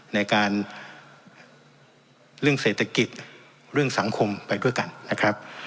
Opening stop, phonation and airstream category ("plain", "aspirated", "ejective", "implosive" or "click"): plain